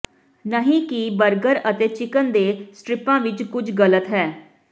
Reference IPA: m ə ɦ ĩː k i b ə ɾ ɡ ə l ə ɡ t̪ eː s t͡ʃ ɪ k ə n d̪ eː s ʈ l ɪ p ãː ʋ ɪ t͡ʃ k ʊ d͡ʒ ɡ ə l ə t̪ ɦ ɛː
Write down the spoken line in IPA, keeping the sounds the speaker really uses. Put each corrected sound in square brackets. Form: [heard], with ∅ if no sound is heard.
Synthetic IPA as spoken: [n] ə ɦ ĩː k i b ə ɾ ɡ ə [ɾ] ə [∅] t̪ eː [∅] t͡ʃ ɪ k ə n d̪ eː s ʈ [ɾ] ɪ p ãː ʋ ɪ t͡ʃ k ʊ d͡ʒ ɡ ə l ə t̪ ɦ ɛː